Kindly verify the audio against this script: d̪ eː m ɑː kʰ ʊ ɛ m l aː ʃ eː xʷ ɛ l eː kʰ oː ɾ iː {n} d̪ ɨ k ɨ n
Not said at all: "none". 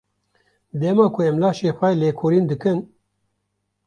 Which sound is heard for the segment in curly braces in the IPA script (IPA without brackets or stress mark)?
n